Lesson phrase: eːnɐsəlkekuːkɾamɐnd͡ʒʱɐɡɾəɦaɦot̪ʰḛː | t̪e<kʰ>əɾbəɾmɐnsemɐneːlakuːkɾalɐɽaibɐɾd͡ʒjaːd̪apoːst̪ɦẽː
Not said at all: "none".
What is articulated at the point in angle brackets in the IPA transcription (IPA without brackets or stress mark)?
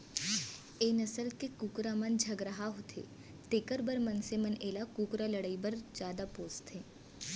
k